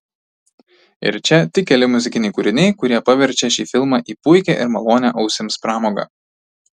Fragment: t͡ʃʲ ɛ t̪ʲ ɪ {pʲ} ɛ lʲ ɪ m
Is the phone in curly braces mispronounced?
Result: yes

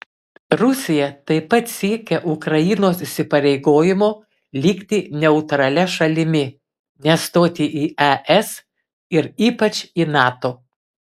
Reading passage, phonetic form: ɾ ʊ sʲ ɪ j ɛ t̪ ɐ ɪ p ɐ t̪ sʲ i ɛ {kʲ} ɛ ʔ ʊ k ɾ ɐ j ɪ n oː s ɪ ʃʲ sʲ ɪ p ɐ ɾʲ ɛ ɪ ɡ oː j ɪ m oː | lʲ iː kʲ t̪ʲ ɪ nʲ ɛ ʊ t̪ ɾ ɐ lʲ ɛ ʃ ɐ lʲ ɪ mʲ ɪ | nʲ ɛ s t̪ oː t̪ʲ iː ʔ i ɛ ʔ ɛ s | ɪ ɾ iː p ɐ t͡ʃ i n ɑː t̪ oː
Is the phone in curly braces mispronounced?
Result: no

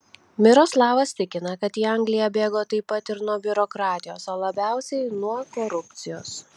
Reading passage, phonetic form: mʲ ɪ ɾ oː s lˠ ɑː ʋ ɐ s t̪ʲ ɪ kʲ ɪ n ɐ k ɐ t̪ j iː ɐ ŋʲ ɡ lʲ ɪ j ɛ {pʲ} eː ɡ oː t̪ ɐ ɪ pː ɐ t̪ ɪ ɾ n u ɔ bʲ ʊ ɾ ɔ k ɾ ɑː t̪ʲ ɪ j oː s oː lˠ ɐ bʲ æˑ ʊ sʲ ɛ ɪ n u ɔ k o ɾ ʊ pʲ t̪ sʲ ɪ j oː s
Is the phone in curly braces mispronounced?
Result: yes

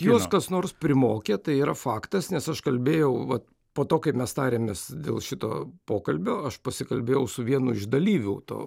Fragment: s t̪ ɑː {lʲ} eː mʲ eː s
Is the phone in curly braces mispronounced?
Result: yes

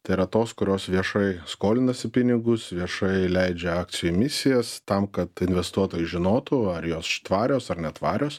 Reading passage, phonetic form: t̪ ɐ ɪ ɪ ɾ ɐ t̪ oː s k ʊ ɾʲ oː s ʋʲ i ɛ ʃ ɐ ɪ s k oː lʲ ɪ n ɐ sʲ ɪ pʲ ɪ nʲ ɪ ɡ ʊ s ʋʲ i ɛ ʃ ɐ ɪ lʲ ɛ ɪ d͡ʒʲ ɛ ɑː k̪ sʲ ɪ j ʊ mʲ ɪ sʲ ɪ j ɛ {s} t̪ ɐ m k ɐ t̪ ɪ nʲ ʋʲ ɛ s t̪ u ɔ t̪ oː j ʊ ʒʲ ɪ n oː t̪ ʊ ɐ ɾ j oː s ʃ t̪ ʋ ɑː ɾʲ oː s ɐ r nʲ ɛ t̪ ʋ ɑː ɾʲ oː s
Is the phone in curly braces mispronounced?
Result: no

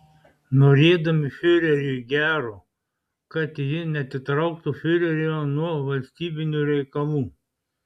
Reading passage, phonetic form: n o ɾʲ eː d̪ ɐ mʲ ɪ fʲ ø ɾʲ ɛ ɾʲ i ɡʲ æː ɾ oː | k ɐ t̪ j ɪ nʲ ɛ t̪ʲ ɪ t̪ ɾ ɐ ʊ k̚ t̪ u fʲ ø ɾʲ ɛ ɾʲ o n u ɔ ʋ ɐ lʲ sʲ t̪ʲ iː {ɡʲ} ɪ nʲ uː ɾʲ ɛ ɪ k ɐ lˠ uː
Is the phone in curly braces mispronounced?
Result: yes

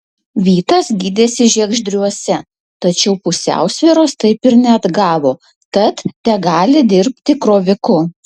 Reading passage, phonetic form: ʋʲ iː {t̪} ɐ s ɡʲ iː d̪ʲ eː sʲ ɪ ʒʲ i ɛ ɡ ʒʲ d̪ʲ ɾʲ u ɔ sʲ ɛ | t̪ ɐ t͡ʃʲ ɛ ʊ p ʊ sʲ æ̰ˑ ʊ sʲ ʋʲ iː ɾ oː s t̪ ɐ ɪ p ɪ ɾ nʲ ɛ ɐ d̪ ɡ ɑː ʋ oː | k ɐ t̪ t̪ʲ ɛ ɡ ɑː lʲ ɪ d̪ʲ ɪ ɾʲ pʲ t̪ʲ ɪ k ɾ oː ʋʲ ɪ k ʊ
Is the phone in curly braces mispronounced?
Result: no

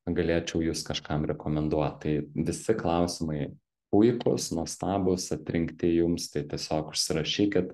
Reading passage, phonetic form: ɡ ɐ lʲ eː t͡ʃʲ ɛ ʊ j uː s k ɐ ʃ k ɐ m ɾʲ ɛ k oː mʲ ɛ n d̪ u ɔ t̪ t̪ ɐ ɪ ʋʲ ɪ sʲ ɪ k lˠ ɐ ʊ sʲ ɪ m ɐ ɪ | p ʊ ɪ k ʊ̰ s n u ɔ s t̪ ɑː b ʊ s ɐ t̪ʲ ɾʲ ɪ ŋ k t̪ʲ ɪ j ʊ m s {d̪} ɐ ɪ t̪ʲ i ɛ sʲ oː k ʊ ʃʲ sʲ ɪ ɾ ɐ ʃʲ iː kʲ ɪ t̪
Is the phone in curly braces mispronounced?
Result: yes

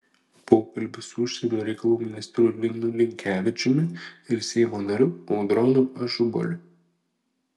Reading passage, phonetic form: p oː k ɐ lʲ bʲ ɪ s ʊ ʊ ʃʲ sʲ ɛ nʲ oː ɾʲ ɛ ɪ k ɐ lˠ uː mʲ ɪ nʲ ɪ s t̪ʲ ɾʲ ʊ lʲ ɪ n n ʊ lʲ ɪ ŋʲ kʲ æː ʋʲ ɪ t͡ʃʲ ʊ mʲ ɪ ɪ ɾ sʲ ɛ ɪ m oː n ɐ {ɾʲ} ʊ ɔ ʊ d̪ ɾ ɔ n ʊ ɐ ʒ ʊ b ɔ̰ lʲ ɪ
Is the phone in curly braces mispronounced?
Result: no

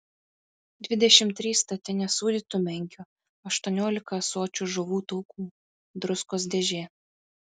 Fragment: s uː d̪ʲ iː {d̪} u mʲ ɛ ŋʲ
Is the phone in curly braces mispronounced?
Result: yes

